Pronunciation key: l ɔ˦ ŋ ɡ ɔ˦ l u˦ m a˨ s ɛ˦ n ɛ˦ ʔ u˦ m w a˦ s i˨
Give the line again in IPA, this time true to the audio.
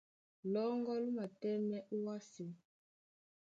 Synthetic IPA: l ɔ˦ ŋ ɡ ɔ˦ l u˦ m a˨ t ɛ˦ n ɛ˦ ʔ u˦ w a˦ s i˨